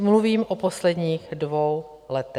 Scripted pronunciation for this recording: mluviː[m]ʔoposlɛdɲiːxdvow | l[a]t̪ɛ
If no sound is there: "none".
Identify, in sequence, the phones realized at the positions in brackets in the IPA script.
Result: m, ɛ

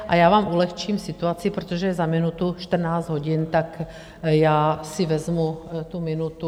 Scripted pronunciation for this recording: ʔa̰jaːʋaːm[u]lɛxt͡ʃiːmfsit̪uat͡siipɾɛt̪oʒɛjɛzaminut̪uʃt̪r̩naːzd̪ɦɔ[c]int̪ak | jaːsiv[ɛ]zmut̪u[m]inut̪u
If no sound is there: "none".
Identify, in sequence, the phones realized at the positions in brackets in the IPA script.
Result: u, ɟ, ɛ, m

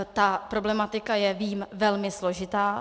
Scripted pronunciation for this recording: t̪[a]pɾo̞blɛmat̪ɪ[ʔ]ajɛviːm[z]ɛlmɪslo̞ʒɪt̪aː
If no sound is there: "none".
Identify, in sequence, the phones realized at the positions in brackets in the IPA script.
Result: a, k, v

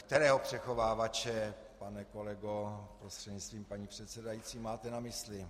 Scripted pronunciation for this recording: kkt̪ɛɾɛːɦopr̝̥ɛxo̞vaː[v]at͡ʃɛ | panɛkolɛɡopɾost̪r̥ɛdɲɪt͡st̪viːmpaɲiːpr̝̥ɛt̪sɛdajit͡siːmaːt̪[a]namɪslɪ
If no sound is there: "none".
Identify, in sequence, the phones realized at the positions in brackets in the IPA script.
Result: v, ɛ

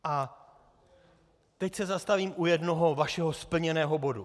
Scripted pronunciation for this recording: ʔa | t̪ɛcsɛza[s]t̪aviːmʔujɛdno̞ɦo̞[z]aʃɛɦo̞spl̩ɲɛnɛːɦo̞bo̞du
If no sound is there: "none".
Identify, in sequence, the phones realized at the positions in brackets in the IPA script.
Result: s, v

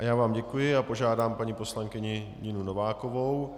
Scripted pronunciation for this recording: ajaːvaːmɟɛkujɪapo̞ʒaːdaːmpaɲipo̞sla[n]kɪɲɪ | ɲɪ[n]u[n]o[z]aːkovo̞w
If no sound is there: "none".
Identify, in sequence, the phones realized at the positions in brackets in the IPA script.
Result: ŋ, n, n, v

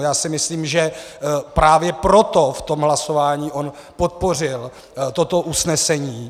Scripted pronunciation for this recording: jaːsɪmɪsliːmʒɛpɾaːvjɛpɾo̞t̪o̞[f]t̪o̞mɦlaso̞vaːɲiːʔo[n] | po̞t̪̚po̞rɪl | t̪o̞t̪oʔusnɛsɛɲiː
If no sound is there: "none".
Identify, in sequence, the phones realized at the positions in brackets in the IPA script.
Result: f, n

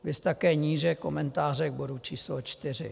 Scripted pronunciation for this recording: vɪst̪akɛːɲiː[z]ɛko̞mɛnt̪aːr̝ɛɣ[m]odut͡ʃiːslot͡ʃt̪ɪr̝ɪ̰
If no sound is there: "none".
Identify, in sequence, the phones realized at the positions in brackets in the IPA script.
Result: ʒ, b

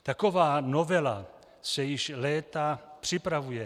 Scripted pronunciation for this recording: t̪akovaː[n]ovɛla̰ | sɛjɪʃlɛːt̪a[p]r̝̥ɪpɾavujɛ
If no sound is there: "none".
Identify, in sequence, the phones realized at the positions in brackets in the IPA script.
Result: n, p

